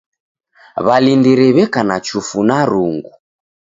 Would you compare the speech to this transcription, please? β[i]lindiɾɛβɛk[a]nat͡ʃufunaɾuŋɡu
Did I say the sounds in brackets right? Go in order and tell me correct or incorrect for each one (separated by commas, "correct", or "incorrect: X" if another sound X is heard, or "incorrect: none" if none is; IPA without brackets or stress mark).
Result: incorrect: a, correct